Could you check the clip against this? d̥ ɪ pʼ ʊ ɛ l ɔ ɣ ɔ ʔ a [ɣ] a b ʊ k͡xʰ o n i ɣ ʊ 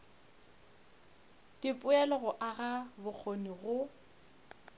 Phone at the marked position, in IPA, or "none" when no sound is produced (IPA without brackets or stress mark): ɣ